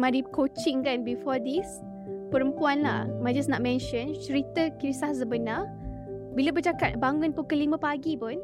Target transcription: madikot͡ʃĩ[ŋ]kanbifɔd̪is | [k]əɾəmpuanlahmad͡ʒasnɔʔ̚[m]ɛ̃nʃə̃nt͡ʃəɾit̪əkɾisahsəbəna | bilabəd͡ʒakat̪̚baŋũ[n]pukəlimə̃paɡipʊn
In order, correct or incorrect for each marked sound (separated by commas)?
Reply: correct, incorrect, correct, correct